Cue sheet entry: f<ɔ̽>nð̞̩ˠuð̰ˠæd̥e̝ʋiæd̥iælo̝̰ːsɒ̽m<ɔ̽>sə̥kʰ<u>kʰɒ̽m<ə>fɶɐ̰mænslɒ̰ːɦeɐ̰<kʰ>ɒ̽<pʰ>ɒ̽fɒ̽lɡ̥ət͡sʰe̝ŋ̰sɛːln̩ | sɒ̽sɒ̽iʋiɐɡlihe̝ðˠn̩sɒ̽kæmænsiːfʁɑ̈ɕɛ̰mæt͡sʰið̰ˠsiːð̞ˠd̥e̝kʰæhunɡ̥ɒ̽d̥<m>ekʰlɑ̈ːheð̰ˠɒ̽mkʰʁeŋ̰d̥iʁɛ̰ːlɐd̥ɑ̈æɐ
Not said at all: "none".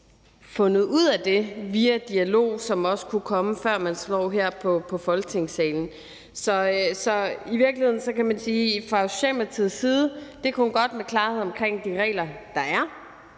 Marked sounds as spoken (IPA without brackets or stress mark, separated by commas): ɔ̽, ɒ̽, u, ə, pʰ, pʰ, m